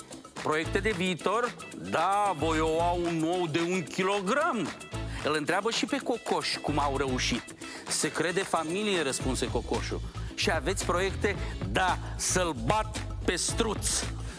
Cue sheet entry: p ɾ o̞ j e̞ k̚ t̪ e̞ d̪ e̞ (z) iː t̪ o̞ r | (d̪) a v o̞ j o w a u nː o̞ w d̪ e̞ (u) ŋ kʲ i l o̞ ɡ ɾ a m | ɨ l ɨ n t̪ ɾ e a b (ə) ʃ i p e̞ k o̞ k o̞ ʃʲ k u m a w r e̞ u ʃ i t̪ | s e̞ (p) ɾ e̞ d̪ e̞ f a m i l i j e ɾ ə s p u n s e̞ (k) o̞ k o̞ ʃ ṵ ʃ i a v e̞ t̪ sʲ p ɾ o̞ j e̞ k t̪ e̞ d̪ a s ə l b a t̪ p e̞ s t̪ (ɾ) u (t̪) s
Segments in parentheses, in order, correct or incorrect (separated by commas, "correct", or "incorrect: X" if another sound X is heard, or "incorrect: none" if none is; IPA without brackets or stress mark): incorrect: v, correct, correct, correct, incorrect: k, correct, correct, correct